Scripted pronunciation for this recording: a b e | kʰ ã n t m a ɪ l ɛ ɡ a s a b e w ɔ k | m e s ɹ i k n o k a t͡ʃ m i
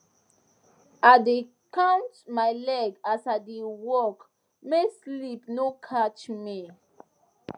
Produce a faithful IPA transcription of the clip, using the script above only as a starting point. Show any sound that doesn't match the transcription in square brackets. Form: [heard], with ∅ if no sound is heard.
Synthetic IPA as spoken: a [d] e | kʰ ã n t m a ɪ l ɛ ɡ a s a [d] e w ɔ k | m e s [l] i [p] n o [kʰ] a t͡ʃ m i